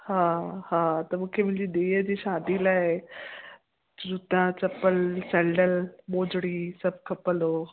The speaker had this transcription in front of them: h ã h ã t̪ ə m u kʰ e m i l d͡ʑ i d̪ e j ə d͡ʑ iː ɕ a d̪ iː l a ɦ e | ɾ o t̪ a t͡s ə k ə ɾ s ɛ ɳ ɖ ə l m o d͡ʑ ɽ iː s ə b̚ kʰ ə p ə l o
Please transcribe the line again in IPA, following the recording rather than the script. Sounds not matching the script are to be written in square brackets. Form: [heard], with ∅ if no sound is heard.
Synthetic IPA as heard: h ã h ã t̪ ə m u kʰ e m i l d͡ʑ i d̪ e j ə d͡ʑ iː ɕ a d̪ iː l a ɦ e | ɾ [u] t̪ a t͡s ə [p] ə [l] s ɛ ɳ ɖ ə l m o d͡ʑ ɽ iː s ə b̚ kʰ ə p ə l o

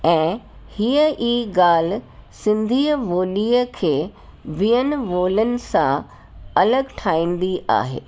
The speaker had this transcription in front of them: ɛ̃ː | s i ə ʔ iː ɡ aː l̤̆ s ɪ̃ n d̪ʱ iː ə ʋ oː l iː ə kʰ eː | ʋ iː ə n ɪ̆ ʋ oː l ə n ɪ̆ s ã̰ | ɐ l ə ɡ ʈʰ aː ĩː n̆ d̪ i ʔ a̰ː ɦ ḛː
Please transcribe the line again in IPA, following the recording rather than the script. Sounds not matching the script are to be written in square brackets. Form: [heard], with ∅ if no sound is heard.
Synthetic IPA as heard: ɛ̃ː | [h] i ə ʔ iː ɡ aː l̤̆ s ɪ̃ n d̪ʱ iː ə ʋ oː l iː ə kʰ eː | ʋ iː ə n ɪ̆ ʋ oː l ə n ɪ̆ s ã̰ | ɐ l ə ɡ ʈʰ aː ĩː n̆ d̪ i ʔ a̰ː ɦ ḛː

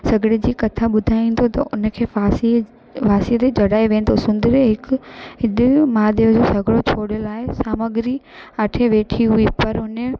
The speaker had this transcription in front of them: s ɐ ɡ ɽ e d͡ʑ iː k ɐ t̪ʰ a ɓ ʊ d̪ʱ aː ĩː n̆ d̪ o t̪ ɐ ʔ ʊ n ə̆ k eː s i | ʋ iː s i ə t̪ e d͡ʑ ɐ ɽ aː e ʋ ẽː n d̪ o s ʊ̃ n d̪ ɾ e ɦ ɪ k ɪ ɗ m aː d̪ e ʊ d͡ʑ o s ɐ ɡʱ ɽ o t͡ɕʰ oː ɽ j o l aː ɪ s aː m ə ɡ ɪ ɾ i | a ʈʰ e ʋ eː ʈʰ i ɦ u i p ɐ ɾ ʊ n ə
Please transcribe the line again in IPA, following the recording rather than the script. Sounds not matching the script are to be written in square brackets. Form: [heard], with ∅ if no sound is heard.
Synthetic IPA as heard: s ɐ ɡ ɽ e d͡ʑ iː k ɐ t̪ʰ a ɓ ʊ d̪ʱ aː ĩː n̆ d̪ o t̪ ɐ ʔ ʊ n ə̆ [kʰ] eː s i | ʋ [aː] s i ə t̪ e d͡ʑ ɐ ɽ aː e ʋ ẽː n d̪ o s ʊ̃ n d̪ ɾ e ɦ ɪ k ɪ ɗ m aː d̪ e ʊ d͡ʑ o s ɐ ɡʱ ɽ o t͡ɕʰ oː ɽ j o l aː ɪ s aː m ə ɡ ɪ ɾ i | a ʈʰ e ʋ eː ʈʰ i ɦ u i p ɐ ɾ ʊ n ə

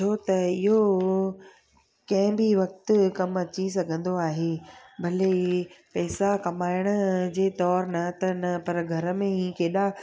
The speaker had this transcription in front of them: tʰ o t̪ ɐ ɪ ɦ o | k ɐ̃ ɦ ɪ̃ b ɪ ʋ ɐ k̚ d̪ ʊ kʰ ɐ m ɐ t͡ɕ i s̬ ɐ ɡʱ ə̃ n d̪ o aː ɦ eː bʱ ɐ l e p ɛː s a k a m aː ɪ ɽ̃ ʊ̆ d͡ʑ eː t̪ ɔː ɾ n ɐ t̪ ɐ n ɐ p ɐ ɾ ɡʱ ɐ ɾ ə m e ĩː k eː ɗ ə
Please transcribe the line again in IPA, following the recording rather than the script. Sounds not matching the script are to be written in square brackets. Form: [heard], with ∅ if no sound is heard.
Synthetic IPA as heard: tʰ o t̪ ɐ ɪ ɦ o | k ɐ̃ ɦ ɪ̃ b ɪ ʋ ɐ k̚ [t̪] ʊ [k] ɐ m ɐ t͡ɕ i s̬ ɐ ɡʱ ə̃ n d̪ o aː ɦ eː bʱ ɐ l e p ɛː s a k [ɐ] m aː ɪ ɽ̃ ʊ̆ d͡ʑ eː t̪ ɔː ɾ n ɐ t̪ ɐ n ɐ p ɐ ɾ ɡʱ ɐ ɾ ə m [ẽ] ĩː k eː ɗ [a]

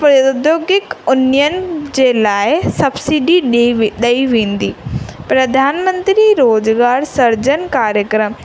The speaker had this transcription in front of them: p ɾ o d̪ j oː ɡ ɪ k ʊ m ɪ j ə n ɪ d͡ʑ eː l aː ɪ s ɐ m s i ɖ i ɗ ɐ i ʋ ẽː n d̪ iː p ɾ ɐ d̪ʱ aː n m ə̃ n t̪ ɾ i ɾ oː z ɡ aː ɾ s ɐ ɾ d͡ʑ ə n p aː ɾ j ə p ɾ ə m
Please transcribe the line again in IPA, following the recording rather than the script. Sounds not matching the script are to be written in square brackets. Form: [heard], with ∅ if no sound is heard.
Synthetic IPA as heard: p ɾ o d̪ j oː ɡ ɪ k ʊ [n] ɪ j ə n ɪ d͡ʑ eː l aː ɪ s ɐ [b] s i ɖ i ɗ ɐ i ʋ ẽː n d̪ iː p ɾ ɐ d̪ʱ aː n m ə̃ n t̪ ɾ i ɾ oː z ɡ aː ɾ s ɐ ɾ d͡ʑ ə n [k] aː ɾ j ə [k] ɾ ə m

